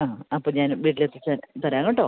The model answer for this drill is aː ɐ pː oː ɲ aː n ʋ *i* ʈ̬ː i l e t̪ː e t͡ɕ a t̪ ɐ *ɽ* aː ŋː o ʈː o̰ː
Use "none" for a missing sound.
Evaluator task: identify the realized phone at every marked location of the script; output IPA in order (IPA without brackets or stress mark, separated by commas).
iː, ɾ